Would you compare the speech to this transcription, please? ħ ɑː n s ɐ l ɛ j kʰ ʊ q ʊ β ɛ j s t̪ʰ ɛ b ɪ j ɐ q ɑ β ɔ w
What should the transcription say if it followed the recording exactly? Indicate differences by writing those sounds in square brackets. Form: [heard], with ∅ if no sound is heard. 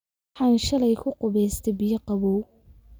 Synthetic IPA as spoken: ħ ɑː n [ʃ] ɐ l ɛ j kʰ ʊ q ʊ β ɛ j s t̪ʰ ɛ b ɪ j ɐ q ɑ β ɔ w